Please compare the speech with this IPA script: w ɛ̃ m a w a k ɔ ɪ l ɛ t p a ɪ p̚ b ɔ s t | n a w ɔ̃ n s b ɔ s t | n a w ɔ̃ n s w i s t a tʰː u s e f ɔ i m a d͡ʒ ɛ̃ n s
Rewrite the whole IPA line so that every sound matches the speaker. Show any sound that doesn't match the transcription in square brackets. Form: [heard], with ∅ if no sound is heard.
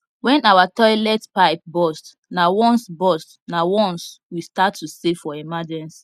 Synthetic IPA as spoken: w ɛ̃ [n] a w a [t] ɔ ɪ l ɛ t p a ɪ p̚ b ɔ s t | n a w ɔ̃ n s b ɔ s t | n a w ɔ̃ n s w i s t a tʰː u s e f ɔ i m a d͡ʒ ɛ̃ n s